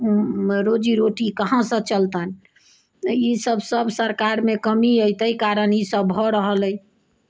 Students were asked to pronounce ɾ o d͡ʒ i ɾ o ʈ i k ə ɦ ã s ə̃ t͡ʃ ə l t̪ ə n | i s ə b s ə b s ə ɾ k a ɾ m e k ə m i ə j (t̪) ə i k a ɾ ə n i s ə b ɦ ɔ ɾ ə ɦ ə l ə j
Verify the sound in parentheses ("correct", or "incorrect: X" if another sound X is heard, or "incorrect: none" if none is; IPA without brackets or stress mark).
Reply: correct